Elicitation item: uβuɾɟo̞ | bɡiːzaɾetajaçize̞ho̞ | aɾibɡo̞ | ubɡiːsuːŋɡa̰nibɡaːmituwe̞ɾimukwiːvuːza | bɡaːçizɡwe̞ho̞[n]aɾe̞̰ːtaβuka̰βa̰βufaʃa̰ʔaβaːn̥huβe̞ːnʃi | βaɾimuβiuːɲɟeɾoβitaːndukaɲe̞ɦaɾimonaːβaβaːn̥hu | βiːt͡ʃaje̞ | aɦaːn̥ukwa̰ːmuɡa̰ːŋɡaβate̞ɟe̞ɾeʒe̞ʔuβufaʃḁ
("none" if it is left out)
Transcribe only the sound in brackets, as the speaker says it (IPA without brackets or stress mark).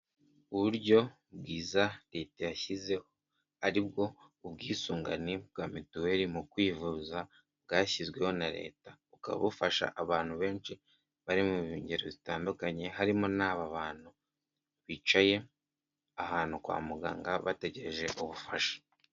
n